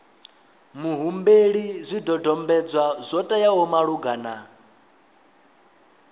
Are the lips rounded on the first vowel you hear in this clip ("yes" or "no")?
yes